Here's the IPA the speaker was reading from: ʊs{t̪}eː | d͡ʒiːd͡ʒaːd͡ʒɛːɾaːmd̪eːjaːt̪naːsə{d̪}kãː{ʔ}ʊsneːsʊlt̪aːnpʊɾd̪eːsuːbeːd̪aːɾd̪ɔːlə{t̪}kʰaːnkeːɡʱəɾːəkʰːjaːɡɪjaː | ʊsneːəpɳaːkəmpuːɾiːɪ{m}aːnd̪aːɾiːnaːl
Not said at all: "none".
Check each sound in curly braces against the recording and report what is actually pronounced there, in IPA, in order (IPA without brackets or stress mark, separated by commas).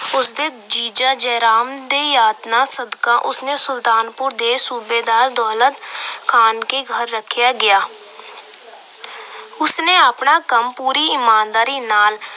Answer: d̪, d̪, ʔ, t̪, m